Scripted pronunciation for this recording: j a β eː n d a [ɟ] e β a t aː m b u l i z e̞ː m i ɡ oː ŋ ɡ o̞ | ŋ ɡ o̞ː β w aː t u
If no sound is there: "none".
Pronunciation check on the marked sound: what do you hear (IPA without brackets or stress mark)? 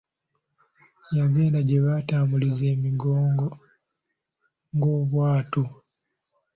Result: ɟ